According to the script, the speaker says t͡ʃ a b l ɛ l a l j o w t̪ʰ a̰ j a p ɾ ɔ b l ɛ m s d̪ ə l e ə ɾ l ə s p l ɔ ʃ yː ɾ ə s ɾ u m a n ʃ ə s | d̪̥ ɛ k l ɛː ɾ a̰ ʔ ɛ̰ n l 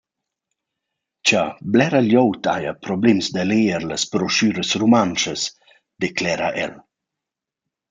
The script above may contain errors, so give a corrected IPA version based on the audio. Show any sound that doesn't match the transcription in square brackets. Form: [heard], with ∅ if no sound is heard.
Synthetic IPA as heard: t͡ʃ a b l ɛ [ɾ] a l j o w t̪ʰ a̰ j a p ɾ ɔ b l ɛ m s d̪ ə l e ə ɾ l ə s p [ɾ] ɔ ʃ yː ɾ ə s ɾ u m a n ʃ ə s | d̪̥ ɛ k l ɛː ɾ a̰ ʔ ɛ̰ [∅] l